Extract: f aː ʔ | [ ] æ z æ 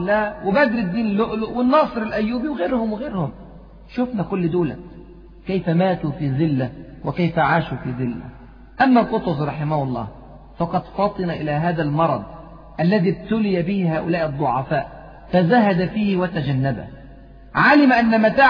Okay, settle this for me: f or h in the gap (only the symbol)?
f